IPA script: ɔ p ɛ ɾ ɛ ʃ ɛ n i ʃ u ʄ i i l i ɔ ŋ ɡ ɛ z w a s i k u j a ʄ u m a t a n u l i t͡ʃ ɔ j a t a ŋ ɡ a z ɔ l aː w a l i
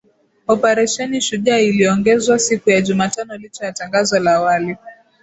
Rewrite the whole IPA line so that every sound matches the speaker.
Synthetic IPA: ɔ p ɛ ɾ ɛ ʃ ɛ n i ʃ u ʄ a i l i ɔ ŋ ɡ ɛ z w a s i k u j a ʄ u m a t a n ɔ l i t͡ʃ ɔ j a t a ŋ ɡ a z ɔ l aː w a l i